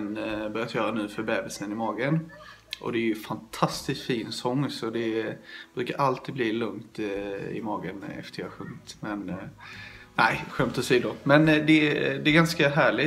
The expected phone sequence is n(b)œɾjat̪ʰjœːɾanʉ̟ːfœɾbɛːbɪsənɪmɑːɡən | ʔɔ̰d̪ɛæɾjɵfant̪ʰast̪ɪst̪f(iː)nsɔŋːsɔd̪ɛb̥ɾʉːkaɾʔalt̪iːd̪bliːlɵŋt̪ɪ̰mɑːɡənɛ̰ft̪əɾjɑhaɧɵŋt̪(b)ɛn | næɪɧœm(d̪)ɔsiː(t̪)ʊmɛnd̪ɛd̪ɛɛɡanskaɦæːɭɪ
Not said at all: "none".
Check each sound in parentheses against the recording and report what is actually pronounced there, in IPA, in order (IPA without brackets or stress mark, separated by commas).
b, iː, m, t̪, d̪